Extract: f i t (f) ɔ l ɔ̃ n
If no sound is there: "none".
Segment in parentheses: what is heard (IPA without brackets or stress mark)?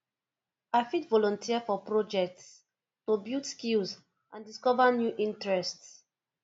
v